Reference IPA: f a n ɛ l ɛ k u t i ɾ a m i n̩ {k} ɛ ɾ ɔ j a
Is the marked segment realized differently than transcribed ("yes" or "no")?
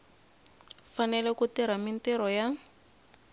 yes